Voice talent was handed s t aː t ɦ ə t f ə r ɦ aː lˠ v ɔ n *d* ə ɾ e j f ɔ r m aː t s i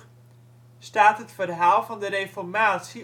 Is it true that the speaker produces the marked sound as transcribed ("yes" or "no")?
yes